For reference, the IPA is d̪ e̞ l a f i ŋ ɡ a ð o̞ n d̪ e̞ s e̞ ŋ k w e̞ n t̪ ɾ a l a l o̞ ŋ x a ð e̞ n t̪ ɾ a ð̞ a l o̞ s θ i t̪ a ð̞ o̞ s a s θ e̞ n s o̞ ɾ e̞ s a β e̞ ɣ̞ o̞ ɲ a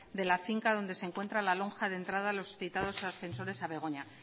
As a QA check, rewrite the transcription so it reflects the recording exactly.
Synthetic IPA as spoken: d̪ e̞ l a f i ŋ k a ð o̞ n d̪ e̞ s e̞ ŋ k w e̞ n t̪ ɾ a l a l o̞ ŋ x a ð e̞ n t̪ ɾ a ð̞ a l o̞ s θ i t̪ a ð̞ o̞ s a s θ e̞ n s o̞ ɾ e̞ s a β e̞ ɣ̞ o̞ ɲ a